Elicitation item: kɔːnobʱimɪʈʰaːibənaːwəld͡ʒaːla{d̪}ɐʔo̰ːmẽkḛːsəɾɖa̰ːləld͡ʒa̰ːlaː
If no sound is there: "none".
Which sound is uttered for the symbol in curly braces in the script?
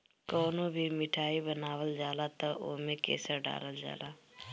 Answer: t̪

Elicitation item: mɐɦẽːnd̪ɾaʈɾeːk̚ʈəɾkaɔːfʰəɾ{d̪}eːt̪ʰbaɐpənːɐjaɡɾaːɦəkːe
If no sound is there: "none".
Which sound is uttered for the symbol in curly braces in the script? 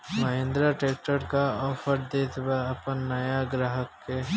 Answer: d̪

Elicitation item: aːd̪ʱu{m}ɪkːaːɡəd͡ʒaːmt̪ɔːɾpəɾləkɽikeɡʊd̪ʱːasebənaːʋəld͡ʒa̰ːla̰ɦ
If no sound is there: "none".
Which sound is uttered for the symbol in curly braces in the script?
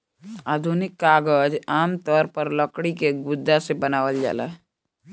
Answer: n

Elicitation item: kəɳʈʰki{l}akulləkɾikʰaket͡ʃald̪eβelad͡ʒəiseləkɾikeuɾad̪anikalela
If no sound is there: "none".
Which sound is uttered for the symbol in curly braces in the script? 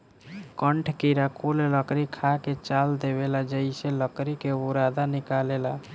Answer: ɾ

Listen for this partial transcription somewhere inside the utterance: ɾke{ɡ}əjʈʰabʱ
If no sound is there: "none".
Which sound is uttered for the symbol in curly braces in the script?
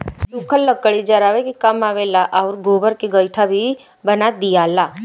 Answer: ɡ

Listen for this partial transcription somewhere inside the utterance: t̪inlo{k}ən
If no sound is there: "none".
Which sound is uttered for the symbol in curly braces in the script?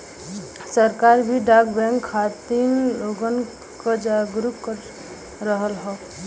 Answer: ɡ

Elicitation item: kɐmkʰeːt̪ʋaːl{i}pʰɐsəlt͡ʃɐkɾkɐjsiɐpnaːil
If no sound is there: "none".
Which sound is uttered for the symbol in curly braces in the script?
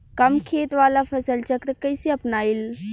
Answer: a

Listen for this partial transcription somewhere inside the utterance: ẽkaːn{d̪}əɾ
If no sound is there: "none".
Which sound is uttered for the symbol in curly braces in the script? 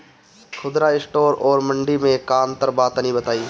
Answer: t̪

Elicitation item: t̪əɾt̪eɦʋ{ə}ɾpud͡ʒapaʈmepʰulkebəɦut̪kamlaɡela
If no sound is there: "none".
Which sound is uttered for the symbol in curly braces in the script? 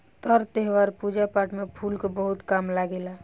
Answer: a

